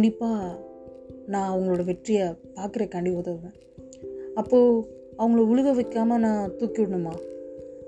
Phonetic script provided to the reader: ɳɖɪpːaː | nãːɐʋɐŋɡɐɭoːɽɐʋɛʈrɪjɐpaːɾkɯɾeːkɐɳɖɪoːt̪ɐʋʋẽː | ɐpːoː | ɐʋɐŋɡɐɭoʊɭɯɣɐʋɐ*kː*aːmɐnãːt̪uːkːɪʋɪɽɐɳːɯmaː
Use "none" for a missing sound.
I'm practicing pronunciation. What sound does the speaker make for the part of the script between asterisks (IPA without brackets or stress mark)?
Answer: kː